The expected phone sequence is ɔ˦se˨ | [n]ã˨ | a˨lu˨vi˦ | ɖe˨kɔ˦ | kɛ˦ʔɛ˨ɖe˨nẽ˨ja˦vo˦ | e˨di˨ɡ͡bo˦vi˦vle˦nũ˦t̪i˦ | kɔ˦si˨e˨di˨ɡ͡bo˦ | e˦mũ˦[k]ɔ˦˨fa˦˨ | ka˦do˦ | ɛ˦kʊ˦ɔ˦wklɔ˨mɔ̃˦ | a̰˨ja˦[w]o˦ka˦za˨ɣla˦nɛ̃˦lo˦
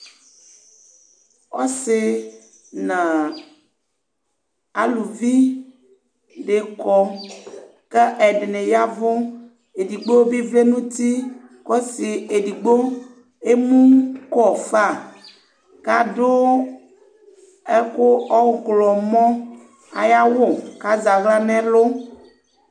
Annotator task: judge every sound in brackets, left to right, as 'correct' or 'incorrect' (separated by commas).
correct, correct, correct